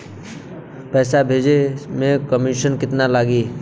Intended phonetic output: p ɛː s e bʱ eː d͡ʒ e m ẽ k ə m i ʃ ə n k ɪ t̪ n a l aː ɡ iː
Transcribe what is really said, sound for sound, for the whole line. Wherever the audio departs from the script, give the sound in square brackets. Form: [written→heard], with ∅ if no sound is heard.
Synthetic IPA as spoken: p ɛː s [e→a] bʱ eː d͡ʒ e m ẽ k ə m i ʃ ə n k ɪ t̪ n a l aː ɡ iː